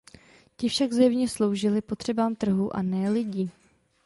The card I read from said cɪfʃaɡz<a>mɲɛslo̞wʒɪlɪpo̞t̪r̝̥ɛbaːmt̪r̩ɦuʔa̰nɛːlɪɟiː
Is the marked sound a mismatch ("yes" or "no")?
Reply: yes